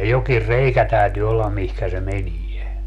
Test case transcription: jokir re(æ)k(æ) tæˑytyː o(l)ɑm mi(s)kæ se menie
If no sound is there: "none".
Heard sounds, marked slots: i, æ, lː, h

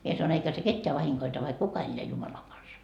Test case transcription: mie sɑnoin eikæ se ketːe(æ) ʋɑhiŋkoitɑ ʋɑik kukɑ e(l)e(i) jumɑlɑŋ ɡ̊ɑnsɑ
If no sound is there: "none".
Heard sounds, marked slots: æ, lː, æ

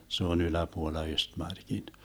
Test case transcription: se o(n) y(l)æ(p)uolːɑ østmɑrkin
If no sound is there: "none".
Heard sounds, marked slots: n, l, p

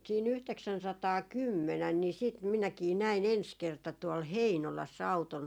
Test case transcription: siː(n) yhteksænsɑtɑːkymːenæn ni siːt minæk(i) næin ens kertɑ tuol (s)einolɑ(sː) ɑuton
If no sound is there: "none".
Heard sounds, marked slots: n, iː, h, sː

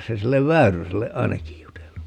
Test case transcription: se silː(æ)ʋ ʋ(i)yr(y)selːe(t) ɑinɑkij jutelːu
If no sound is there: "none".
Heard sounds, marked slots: e, æ, y, none

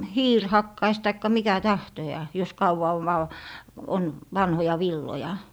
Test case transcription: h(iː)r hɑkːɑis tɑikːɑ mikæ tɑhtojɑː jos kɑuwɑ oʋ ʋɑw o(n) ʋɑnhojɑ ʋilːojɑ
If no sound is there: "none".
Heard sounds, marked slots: iː, n

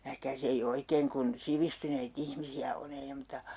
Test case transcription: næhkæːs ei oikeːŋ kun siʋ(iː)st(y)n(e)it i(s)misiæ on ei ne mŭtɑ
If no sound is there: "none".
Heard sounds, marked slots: i, y, e, h

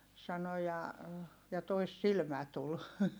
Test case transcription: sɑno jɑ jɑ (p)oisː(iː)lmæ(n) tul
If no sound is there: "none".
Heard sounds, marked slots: t, i, none

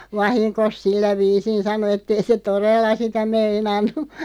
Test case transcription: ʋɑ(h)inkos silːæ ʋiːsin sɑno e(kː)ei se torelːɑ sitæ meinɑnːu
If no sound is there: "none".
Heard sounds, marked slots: h, tː

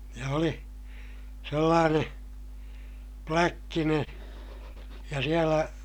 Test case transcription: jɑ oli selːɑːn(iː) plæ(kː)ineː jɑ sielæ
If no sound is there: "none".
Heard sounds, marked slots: eː, kː

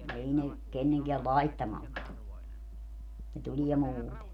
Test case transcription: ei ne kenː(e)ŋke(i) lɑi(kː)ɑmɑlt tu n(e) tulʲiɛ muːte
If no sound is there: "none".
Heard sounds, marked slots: e, æ, tː, e

